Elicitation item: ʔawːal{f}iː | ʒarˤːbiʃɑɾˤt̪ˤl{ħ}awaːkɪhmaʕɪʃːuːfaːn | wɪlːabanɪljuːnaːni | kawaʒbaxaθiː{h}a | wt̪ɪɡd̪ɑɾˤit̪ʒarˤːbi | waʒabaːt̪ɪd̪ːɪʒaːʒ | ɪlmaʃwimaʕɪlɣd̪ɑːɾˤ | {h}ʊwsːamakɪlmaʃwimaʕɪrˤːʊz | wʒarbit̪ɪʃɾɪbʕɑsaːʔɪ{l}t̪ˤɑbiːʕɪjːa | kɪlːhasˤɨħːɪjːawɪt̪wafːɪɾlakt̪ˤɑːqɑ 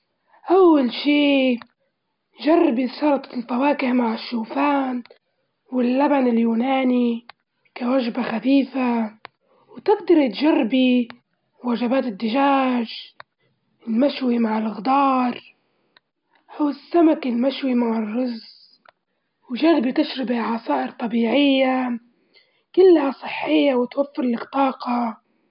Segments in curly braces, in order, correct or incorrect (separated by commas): incorrect, incorrect, incorrect, correct, incorrect